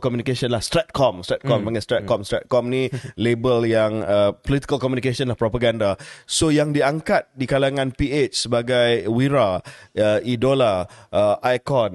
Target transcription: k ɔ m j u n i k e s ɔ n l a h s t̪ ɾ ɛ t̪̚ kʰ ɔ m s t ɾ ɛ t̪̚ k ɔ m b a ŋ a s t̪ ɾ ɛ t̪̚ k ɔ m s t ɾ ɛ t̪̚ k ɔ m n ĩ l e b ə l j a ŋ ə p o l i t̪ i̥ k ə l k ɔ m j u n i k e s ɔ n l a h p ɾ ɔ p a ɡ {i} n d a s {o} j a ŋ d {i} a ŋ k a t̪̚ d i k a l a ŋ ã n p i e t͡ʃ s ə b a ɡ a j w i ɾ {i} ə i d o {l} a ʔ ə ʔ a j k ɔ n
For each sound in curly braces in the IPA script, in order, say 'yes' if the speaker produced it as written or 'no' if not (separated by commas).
no, yes, yes, no, yes